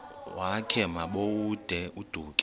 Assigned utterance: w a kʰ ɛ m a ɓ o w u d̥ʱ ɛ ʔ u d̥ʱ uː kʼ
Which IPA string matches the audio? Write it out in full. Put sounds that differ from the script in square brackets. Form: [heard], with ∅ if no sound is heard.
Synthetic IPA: w a kʰ ɛ m a ɓ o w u d̥ʱ ɛ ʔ u d̥ʱ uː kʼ